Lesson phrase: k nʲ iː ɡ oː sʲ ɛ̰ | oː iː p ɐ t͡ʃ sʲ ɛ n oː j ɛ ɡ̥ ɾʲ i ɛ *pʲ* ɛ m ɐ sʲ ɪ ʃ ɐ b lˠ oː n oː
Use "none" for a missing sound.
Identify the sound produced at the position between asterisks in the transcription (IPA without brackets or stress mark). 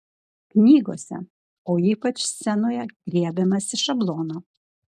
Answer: bʲ